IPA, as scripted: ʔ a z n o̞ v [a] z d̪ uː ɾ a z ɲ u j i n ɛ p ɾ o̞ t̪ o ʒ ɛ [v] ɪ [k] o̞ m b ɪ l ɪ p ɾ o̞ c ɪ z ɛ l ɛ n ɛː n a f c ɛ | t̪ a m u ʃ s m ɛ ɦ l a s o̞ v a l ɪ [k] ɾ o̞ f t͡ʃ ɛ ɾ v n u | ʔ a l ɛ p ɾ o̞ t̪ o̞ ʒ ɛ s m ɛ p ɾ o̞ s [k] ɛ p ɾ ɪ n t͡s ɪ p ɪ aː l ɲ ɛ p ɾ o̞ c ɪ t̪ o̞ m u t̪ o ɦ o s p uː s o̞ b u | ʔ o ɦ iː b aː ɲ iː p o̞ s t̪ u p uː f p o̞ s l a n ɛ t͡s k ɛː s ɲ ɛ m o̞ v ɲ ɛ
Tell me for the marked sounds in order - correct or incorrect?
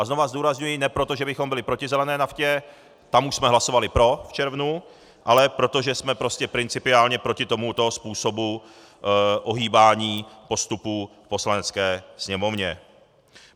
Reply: correct, incorrect, incorrect, incorrect, incorrect

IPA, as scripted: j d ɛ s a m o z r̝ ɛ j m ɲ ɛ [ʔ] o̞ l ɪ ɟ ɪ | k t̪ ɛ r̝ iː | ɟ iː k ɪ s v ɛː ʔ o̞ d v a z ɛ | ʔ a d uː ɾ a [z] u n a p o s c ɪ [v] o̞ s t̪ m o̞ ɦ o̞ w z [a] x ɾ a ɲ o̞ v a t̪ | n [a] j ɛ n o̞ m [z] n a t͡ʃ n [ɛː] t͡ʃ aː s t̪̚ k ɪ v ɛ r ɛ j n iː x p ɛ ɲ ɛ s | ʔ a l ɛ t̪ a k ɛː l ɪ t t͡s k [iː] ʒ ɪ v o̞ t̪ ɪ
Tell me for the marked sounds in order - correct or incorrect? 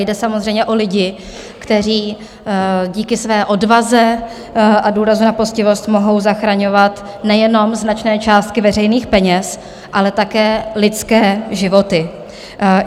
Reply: correct, correct, correct, correct, incorrect, correct, correct, incorrect

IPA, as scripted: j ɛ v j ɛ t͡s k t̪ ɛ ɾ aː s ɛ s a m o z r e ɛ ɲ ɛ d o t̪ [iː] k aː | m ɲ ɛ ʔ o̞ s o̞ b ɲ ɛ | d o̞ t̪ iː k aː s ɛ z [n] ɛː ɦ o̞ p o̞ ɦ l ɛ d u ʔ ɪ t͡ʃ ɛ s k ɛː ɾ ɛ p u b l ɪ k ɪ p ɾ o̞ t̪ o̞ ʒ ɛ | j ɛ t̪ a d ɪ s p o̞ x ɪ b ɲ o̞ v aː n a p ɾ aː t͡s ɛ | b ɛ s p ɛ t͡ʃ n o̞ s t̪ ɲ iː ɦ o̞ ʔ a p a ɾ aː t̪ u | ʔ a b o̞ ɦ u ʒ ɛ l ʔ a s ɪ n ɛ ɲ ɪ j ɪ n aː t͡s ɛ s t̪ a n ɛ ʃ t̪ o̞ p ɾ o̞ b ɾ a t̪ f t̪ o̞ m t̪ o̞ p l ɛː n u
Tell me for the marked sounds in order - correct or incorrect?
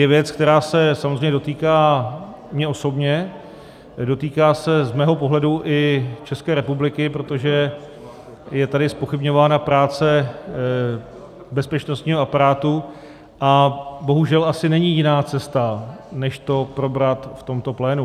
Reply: correct, incorrect

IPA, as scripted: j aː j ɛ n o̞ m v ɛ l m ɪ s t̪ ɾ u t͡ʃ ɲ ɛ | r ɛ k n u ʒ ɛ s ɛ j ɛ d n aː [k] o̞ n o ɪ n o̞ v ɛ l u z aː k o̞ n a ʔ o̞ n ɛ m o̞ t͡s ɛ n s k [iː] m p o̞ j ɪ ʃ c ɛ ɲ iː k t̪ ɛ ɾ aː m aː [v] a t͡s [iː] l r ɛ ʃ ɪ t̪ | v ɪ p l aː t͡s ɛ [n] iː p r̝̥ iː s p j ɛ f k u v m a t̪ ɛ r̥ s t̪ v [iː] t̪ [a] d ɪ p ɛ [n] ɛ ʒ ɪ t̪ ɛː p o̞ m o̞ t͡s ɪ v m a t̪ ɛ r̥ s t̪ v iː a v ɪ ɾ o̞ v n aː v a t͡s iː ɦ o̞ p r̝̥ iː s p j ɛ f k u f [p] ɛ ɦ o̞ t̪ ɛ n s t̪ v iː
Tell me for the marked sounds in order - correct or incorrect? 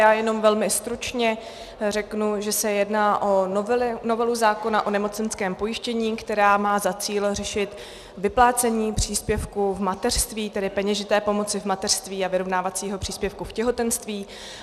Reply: incorrect, incorrect, incorrect, correct, incorrect, correct, incorrect, incorrect, incorrect

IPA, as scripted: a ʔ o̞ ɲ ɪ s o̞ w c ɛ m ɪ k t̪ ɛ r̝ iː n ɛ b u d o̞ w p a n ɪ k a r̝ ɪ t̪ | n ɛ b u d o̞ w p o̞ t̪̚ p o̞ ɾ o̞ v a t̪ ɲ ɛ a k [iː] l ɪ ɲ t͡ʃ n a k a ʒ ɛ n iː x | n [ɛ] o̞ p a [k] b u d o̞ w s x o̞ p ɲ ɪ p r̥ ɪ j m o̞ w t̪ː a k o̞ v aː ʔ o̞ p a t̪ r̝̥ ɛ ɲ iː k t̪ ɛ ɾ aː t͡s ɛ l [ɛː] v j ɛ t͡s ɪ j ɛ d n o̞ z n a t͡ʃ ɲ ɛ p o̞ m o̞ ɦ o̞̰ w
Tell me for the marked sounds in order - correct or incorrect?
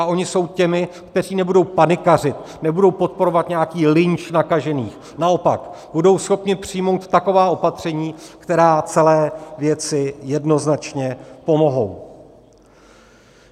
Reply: correct, incorrect, correct, correct

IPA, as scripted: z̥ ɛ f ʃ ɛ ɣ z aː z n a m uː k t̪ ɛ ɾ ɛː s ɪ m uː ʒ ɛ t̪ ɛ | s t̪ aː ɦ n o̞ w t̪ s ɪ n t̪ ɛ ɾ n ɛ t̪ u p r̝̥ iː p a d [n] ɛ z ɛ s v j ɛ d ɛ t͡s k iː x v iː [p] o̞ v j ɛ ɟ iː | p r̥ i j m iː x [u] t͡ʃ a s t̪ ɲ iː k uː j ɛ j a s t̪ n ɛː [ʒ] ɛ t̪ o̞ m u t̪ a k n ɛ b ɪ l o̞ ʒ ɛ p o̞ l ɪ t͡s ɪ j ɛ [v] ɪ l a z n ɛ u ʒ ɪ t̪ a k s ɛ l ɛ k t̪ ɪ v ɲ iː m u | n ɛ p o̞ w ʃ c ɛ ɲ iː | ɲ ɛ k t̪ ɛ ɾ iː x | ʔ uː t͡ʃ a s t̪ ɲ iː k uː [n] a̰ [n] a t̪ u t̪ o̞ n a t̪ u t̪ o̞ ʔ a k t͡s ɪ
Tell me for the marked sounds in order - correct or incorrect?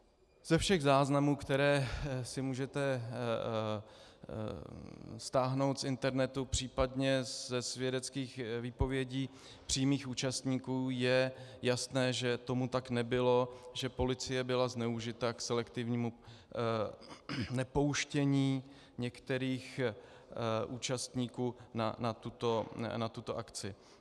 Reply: incorrect, correct, incorrect, correct, incorrect, correct, correct

